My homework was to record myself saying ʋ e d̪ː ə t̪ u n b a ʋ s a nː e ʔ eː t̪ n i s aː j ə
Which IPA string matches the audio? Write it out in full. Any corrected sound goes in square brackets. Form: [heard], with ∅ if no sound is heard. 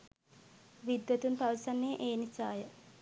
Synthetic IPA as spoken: ʋ [i] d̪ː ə t̪ u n [p] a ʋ s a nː e ʔ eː [∅] n i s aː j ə